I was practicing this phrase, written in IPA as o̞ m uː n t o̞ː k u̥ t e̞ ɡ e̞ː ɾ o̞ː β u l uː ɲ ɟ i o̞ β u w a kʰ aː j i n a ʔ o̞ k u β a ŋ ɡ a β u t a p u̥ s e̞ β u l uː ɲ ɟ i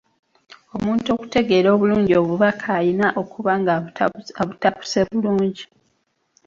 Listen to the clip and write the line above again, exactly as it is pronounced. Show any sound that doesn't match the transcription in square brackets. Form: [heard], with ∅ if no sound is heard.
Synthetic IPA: o̞ m uː n t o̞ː k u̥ t e̞ ɡ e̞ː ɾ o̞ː β u l uː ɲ ɟ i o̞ β u [β] a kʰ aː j i n a ʔ o̞ k u β a ŋ ɡ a β u t a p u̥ s e̞ β u l uː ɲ ɟ i